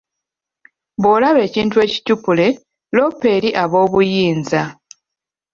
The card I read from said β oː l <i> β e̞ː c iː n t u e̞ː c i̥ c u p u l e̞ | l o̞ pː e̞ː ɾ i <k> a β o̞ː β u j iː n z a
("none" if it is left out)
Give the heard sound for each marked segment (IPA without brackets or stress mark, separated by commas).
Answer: a, ʔ